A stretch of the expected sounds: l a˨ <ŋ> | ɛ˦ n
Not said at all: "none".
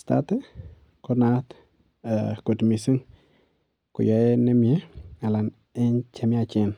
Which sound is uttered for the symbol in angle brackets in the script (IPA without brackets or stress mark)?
n